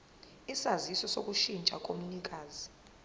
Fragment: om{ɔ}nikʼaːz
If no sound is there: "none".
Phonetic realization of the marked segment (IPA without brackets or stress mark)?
u